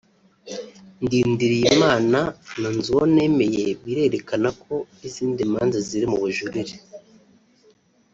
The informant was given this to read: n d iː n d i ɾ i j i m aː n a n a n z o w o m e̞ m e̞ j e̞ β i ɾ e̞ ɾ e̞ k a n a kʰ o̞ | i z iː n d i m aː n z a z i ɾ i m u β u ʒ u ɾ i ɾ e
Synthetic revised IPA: n d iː n d i ɾ i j i m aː n a n a n z u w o n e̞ m e̞ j e̞ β i ɾ e̞ ɾ e̞ k a n a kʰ o̞ | i z iː n d i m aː n z a z i ɾ i m u β u ʒ u ɾ i ɾ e